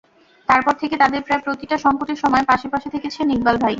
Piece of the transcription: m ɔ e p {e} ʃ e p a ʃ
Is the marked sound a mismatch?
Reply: yes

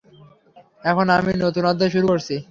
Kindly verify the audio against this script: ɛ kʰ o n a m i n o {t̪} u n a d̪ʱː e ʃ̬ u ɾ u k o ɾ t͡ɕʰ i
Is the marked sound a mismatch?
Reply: no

